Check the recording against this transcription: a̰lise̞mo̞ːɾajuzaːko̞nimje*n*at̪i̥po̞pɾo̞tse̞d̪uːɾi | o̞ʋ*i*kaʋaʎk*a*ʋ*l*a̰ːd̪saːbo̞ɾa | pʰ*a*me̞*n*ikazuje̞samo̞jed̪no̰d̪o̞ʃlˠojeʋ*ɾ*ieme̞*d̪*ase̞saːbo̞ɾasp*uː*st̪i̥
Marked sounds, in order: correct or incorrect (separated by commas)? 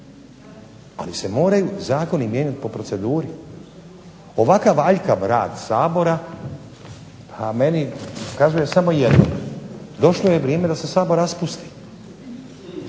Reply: incorrect, incorrect, correct, incorrect, correct, correct, correct, correct, incorrect